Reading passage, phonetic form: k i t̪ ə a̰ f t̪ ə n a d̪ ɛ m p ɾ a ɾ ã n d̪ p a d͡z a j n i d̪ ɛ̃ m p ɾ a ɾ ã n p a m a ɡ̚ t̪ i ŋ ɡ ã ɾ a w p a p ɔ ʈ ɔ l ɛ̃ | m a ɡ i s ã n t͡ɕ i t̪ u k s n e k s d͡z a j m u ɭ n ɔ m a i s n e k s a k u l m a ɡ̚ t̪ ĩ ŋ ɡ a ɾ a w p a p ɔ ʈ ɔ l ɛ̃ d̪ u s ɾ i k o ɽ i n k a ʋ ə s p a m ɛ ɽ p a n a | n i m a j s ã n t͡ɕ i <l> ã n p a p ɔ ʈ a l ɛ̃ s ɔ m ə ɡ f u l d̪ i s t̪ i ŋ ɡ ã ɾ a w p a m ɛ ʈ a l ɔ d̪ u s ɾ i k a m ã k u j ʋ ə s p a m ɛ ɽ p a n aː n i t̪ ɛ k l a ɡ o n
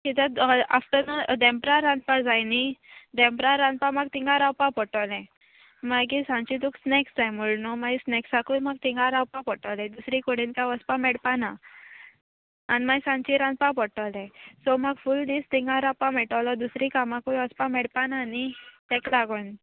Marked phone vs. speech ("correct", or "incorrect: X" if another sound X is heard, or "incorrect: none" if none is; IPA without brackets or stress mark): incorrect: ɾ